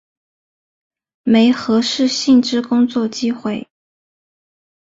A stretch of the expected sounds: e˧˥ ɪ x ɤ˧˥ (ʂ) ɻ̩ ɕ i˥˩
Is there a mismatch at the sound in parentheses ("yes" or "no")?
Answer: no